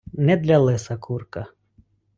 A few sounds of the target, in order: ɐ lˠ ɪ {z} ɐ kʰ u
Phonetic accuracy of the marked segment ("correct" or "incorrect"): incorrect